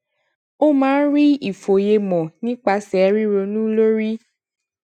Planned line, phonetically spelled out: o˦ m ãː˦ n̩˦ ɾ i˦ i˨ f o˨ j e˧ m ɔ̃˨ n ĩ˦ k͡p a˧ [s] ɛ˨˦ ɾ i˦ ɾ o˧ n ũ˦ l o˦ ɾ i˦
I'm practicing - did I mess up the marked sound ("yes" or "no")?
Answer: no